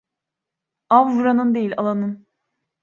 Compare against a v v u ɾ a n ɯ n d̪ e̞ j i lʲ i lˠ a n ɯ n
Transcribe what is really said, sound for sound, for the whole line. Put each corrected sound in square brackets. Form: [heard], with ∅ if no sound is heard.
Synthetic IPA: a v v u ɾ a n ɯ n d̪ e̞ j i lʲ [a] lˠ a n ɯ n

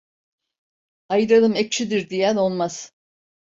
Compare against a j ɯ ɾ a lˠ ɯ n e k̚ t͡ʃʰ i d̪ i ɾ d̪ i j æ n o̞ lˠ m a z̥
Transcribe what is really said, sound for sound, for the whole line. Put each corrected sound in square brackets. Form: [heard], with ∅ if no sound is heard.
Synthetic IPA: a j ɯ ɾ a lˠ ɯ [m] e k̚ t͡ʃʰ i d̪ i ɾ d̪ i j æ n o̞ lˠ m a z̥

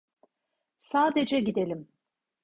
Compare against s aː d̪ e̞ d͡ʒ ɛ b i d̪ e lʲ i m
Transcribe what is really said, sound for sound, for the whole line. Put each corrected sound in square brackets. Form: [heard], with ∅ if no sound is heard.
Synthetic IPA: s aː d̪ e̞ d͡ʒ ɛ [ɟ] i d̪ e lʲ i m

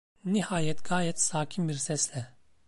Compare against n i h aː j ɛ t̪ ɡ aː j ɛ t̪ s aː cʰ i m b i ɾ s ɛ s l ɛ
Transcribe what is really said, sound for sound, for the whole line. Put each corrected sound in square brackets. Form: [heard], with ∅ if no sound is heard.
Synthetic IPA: n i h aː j ɛ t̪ ɡ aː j ɛ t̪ s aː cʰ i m b i ɾ s ɛ s l ɛ

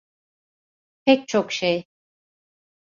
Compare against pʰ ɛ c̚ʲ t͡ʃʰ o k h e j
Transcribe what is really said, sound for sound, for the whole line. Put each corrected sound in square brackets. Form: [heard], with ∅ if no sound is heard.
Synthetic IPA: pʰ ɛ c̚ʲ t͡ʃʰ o k [ʃ] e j

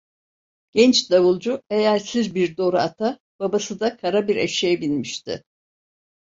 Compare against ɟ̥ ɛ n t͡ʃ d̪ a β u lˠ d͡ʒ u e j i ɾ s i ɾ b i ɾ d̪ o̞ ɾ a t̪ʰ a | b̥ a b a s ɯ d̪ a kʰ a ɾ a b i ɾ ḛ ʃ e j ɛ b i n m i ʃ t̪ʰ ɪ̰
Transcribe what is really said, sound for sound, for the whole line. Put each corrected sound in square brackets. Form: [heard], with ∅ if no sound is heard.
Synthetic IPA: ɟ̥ ɛ n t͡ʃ d̪ a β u lˠ d͡ʒ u e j [æ] ɾ s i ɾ b i ɾ d̪ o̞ ɾ a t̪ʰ a | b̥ a b a s ɯ d̪ a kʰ a ɾ a b i ɾ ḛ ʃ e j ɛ b i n m i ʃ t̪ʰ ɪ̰

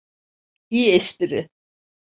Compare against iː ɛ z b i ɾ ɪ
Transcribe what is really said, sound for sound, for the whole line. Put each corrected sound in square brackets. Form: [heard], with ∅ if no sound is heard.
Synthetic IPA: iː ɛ [s] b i ɾ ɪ

